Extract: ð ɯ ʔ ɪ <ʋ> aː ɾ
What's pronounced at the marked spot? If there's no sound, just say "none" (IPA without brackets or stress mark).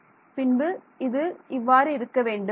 ʋː